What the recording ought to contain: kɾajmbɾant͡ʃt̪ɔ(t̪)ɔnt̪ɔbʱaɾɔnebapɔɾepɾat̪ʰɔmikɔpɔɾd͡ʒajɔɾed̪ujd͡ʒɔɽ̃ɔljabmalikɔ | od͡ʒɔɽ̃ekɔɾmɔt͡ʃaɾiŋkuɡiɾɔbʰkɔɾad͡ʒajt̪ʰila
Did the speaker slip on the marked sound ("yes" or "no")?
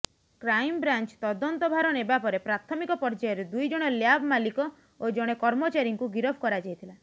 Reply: yes